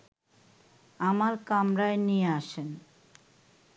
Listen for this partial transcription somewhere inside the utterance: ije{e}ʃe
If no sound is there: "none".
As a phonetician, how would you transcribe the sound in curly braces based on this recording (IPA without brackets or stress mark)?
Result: a